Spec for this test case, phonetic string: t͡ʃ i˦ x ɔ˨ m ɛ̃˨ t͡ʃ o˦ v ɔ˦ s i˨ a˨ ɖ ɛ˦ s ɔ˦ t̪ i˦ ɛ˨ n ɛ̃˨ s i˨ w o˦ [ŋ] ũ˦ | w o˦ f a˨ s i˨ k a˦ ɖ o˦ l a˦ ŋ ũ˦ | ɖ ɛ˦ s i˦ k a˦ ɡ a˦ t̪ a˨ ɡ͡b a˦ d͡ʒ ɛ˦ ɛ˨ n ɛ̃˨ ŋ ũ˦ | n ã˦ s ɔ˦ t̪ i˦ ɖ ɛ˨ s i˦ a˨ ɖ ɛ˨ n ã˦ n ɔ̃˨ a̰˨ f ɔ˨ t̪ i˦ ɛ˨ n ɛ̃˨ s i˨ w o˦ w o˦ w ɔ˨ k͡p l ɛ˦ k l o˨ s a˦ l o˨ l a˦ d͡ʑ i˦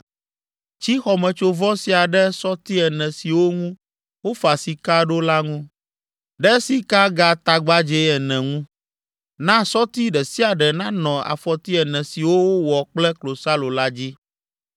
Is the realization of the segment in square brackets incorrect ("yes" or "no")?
no